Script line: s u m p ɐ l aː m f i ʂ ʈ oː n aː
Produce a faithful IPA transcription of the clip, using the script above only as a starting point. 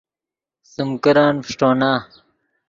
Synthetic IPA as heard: s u m k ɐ ɾ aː n f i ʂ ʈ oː n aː